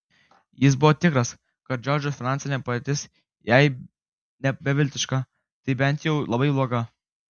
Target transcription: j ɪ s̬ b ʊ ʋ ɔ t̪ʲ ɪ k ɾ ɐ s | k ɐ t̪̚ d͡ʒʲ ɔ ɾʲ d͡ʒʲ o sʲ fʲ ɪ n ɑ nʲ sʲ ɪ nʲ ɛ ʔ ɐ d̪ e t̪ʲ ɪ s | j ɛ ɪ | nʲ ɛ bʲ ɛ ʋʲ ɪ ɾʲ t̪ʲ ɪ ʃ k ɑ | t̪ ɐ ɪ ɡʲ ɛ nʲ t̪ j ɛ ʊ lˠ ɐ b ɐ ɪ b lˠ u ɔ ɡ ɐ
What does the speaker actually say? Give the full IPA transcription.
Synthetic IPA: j ɪ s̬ b ʊ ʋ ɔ t̪ʲ ɪ k ɾ ɐ s | k ɐ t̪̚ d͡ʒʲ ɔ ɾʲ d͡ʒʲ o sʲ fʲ ɪ n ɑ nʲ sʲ ɪ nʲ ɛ p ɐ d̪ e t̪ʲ ɪ s | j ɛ ɪ | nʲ ɛ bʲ ɛ ʋʲ ɪ lʲ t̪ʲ ɪ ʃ k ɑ | t̪ ɐ ɪ bʲ ɛ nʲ t̪ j ɛ ʊ lˠ ɐ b ɐ ɪ b lˠ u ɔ ɡ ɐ